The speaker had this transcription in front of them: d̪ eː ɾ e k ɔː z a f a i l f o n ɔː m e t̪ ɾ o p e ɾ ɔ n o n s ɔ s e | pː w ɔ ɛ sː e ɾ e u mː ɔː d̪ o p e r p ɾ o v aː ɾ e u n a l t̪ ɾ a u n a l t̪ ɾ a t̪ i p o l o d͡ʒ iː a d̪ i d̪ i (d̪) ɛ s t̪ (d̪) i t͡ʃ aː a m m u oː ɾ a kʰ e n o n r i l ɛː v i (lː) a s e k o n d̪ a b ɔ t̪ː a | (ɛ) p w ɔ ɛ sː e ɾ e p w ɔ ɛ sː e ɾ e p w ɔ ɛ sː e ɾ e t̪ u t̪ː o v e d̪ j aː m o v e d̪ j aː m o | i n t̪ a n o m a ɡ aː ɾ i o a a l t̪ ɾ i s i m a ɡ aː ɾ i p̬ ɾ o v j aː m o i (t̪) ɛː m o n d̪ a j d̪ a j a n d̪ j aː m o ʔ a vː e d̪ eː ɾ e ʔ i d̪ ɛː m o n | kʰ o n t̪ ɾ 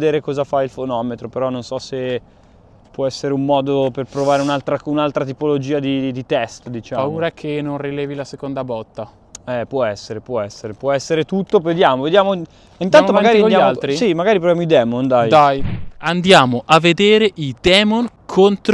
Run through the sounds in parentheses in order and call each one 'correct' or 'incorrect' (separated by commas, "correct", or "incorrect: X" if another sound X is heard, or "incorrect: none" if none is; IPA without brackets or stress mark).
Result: incorrect: t̪, correct, incorrect: l, correct, incorrect: d̪